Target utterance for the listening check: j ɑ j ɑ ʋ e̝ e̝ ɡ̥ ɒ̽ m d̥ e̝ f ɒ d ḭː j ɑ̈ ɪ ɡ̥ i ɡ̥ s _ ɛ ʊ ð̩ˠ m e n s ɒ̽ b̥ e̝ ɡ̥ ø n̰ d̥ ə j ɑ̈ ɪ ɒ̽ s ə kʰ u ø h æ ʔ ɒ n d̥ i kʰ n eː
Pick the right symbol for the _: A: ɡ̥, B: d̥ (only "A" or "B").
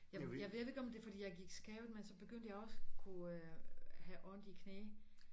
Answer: A